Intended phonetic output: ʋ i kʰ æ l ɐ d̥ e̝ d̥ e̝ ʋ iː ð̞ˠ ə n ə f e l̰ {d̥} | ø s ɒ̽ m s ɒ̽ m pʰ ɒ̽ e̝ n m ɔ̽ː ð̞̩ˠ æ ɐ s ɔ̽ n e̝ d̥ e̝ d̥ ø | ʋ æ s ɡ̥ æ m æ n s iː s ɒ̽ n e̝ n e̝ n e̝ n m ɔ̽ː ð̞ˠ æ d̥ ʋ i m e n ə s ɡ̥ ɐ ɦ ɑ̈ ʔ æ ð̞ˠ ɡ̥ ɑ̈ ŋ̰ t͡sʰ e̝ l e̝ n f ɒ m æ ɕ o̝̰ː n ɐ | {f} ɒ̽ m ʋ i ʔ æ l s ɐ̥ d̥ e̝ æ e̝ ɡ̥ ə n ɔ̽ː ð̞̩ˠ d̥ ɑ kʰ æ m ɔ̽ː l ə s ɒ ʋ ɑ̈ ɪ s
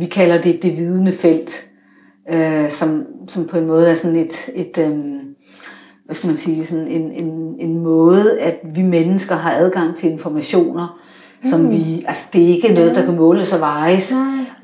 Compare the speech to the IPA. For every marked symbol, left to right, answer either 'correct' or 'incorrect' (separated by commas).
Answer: correct, incorrect